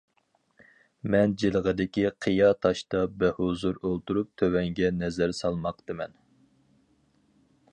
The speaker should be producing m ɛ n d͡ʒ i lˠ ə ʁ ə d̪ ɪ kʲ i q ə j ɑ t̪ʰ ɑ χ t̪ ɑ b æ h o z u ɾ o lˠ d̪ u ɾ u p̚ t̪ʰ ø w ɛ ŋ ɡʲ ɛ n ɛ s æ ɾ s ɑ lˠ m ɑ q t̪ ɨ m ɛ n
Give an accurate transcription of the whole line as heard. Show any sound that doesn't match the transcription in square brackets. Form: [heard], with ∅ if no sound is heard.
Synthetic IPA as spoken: m ɛ n d͡ʒ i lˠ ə ʁ ə d̪ ɪ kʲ i [qʰ] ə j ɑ t̪ʰ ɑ [ʃ] t̪ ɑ b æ h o z u ɾ o lˠ [t̪] u ɾ u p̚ t̪ʰ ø w ɛ ŋ ɡʲ ɛ n ɛ [z] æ ɾ s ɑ lˠ m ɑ q t̪ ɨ m ɛ n

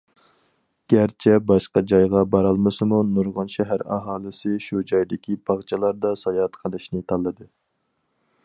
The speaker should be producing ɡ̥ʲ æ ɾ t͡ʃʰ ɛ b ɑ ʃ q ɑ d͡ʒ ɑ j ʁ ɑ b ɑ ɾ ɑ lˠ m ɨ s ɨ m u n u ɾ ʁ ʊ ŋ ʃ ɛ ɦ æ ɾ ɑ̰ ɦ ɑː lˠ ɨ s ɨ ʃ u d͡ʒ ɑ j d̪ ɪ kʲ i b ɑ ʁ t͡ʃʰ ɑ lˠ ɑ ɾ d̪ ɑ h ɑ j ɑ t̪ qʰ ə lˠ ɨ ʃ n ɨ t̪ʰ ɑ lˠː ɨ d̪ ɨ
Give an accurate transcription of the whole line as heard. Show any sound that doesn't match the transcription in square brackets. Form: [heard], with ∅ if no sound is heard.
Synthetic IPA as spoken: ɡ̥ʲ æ ɾ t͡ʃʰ ɛ b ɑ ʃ q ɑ d͡ʒ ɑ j ʁ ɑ b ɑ ɾ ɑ lˠ m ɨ s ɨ m u n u ɾ ʁ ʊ [n] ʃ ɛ ɦ æ ɾ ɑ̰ ɦ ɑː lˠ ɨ s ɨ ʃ u d͡ʒ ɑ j d̪ ɪ kʲ i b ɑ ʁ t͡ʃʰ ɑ lˠ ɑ ɾ d̪ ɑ [s] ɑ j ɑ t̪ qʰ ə lˠ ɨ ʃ n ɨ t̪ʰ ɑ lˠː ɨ d̪ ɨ

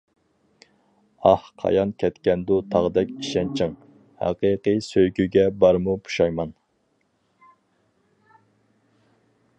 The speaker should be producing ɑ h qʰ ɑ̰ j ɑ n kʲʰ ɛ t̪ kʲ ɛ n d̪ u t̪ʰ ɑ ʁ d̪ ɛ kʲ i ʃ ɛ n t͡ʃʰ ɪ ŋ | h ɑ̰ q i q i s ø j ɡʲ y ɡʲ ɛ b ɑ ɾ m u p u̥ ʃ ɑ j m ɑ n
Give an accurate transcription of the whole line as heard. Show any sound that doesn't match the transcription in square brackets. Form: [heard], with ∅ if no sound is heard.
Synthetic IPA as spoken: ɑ h qʰ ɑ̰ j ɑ n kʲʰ ɛ t̪ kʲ ɛ n d̪ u t̪ʰ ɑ ʁ d̪ ɛ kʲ i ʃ ɛ n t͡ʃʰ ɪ ŋ | h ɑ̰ q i q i s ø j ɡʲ y ɡʲ ɛ b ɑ ɾ m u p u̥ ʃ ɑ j m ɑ n

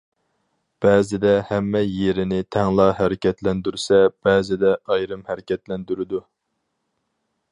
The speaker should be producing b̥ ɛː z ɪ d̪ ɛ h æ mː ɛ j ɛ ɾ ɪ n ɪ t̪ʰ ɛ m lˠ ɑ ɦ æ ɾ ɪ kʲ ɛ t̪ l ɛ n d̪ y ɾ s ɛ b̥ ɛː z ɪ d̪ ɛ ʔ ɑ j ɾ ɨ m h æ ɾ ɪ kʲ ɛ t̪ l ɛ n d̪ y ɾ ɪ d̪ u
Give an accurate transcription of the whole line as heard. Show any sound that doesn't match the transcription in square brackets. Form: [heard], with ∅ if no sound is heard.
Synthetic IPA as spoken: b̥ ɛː z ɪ d̪ ɛ h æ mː ɛ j [e] ɾ ɪ n ɪ t̪ʰ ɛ [ŋ] lˠ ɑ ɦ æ ɾ ɪ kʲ ɛ t̪ l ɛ n d̪ y ɾ s ɛ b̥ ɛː z ɪ d̪ ɛ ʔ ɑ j ɾ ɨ m h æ ɾ ɪ kʲ ɛ t̪ l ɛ n d̪ y ɾ ɪ d̪ u

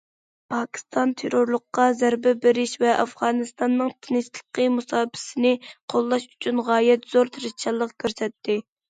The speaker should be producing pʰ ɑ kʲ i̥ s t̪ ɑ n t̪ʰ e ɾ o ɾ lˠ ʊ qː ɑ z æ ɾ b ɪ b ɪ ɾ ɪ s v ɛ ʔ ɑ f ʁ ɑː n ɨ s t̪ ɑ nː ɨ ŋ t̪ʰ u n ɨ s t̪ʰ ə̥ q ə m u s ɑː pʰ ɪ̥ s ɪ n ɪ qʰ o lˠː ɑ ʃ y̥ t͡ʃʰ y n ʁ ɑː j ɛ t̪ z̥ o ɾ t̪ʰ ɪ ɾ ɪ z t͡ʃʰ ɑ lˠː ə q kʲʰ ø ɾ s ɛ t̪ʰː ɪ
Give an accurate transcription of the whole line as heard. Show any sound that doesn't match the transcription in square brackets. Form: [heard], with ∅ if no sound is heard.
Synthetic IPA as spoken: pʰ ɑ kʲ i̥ s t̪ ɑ n t̪ʰ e ɾ o ɾ lˠ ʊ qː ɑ z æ ɾ b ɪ b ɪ ɾ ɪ [ʃ] v ɛ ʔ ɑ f ʁ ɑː n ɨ s t̪ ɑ nː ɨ ŋ t̪ʰ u n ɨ s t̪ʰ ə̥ q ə m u s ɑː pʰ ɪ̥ s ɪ n ɪ qʰ o lˠː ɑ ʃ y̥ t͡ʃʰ y n ʁ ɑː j ɛ t̪ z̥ o ɾ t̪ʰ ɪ ɾ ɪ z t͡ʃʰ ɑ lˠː ə q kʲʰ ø ɾ s ɛ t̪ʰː ɪ

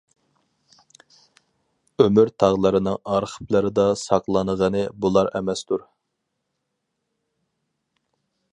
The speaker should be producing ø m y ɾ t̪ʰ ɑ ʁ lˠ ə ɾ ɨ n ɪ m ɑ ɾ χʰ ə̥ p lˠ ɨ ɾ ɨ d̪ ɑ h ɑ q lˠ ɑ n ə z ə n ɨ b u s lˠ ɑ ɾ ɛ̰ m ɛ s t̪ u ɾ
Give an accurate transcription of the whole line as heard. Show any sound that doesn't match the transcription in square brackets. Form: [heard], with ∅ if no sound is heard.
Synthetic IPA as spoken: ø m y ɾ t̪ʰ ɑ ʁ lˠ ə ɾ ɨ n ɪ [ŋ] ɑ ɾ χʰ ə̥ p lˠ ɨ ɾ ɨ d̪ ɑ [s] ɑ q lˠ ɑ n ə [ʁ] ə n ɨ b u [∅] lˠ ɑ ɾ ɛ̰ m ɛ s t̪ u ɾ

